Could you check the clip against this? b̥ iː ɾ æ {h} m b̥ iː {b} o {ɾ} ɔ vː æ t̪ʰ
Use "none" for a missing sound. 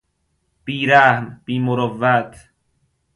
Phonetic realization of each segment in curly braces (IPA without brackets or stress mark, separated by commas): h, m, ɾ